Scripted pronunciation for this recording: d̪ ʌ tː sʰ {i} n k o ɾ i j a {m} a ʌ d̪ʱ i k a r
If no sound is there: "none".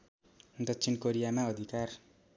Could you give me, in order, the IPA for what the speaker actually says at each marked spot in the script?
i, m

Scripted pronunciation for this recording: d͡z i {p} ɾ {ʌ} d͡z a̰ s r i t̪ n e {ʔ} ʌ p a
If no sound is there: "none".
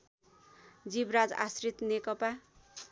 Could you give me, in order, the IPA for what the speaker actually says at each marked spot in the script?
b, a, k

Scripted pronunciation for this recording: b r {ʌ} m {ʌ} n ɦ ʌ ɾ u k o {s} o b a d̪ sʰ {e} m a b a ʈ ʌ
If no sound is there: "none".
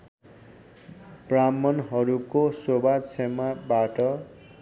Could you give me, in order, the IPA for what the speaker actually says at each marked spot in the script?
a, ʌ, s, e

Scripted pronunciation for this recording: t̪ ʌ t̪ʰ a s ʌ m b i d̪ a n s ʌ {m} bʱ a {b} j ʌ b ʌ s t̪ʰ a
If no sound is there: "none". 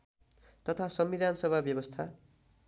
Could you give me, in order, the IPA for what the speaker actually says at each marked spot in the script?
none, b

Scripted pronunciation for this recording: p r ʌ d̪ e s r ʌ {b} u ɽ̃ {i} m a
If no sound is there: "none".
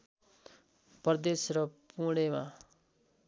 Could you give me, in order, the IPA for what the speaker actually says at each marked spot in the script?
p, e

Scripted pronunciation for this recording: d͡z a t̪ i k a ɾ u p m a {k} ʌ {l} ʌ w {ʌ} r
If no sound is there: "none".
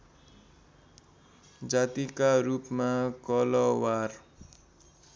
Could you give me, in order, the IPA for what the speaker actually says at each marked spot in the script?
k, l, a

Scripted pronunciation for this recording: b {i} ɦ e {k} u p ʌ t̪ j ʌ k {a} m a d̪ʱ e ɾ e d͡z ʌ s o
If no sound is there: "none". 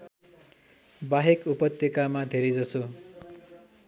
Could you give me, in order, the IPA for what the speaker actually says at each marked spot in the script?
a, k, a

